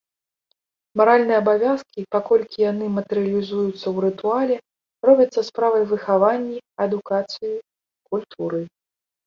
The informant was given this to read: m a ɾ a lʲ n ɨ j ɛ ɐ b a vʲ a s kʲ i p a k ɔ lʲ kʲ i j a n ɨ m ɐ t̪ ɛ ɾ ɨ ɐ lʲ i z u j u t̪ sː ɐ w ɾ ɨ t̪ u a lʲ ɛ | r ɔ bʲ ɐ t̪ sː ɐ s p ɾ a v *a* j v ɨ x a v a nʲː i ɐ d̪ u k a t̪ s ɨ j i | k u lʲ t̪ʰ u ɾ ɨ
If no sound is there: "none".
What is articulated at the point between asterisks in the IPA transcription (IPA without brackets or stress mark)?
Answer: ɐ